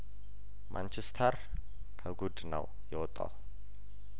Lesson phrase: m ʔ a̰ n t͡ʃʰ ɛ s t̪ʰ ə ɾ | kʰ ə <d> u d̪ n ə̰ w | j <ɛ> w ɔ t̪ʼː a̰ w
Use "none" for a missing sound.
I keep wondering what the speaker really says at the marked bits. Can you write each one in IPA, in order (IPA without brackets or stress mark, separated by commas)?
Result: ɡ, ɛ